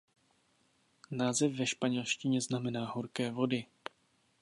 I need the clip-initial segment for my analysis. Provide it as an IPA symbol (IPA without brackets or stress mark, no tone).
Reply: n